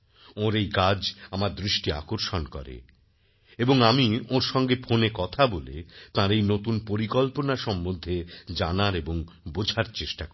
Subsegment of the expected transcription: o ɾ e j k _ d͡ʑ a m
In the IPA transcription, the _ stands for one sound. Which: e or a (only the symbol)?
a